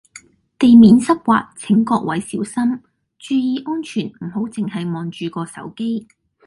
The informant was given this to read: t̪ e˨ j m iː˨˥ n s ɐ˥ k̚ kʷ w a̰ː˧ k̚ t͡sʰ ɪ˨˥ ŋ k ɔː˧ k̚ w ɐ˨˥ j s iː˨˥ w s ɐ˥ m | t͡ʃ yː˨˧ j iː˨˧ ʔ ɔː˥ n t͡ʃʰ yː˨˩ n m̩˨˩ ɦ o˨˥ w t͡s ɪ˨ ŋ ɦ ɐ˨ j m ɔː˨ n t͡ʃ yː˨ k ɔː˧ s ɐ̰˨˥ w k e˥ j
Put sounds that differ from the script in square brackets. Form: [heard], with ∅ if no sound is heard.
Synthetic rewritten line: t̪ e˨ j m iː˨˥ n s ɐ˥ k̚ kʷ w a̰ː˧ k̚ t͡sʰ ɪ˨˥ ŋ k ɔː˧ k̚ w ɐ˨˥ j s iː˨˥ w s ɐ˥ m | t͡ʃ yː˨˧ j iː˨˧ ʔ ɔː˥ n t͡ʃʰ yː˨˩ n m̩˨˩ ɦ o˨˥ w t͡s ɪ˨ ŋ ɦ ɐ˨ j m ɔː˨ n t͡ʃ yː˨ k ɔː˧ s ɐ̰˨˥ w k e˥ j